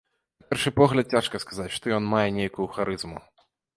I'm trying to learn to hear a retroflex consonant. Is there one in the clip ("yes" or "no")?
yes